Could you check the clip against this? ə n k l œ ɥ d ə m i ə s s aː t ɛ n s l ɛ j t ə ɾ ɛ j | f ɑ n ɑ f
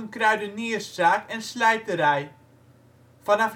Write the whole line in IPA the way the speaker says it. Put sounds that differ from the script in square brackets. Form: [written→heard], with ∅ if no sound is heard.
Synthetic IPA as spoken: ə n k [l→r] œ ɥ d ə [m→n] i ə s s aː [t→k] ɛ n s l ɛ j t ə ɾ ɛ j | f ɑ n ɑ f